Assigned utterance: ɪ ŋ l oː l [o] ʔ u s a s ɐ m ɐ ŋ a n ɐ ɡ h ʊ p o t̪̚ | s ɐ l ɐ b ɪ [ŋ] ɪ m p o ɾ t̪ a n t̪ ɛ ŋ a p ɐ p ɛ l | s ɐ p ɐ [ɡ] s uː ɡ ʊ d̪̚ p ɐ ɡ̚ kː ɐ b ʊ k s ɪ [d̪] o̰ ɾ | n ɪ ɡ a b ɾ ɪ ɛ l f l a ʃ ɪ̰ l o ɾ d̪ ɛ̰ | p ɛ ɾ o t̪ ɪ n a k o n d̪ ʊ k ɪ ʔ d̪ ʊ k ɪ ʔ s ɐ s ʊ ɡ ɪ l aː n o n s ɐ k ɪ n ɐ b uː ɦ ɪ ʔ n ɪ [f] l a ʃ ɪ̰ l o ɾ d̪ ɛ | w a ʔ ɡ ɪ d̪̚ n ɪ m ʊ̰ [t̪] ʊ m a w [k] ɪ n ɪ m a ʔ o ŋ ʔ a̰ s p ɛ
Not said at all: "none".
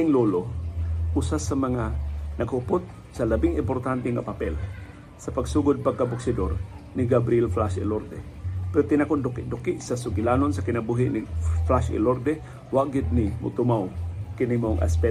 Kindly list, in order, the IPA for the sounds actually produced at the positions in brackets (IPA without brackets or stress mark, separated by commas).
o, ŋ, ɡ, d̪, f, t̪, k